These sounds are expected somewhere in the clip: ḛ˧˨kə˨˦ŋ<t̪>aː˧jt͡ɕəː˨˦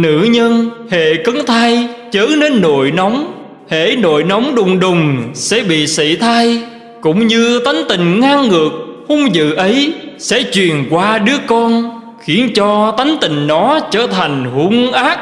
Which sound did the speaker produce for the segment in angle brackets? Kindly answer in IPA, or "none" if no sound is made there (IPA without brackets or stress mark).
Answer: t̪ʰ